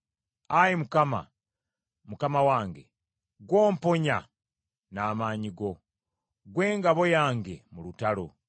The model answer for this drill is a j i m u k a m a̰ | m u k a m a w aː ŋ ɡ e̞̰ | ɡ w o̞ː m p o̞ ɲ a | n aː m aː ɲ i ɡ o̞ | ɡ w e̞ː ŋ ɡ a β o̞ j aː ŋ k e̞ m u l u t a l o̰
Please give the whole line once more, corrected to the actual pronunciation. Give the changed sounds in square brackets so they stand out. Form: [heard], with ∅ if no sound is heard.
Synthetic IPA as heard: a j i m u k a m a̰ | m u k a m a w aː ŋ ɡ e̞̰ | ɡ w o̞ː m p o̞ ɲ a | n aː m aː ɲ i ɡ o̞ | ɡ w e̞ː ŋ ɡ a β o̞ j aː ŋ [ɡ] e̞ m u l u t a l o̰